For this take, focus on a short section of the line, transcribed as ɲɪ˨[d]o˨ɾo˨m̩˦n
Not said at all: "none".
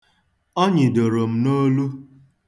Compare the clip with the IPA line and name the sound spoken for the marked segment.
d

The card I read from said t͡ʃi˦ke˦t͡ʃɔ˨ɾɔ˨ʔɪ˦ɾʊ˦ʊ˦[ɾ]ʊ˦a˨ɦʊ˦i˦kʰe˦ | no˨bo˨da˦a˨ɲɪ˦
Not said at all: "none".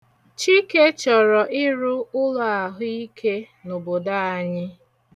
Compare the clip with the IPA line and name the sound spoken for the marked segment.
l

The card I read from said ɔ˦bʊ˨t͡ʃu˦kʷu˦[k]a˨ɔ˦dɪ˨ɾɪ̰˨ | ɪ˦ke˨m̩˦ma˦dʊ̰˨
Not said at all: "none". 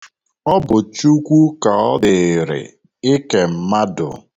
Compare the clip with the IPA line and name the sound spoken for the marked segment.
k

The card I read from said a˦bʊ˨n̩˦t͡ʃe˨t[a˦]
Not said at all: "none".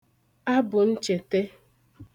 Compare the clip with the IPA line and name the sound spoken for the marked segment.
e˦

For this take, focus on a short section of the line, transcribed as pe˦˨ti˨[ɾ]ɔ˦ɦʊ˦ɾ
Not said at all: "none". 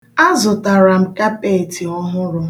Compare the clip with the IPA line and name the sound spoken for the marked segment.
none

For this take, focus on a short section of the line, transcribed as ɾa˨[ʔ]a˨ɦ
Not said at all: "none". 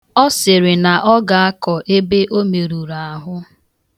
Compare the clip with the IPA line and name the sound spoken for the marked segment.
none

